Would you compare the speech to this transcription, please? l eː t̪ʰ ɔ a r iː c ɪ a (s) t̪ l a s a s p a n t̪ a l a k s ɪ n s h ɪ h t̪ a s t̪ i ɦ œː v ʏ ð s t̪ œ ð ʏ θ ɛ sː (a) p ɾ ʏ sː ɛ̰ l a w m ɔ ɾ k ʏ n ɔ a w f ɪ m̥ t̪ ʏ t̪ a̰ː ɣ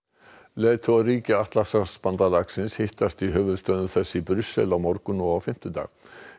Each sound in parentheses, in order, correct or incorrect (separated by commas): incorrect, incorrect